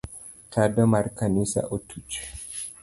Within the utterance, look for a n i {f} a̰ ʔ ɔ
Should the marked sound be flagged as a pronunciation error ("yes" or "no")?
yes